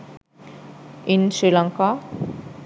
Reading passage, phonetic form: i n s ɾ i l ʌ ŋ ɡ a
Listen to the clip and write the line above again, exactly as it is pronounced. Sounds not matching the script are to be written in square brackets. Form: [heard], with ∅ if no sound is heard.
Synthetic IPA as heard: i n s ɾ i l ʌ ŋ [k] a